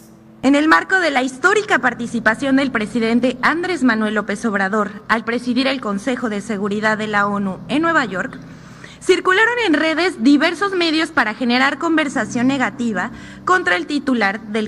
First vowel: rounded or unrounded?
unrounded